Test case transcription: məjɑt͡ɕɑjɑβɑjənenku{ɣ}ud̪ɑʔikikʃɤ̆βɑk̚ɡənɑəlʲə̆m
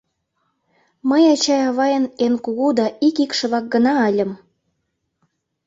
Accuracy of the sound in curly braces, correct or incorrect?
correct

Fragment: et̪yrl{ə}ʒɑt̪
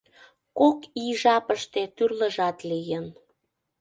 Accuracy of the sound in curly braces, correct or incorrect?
correct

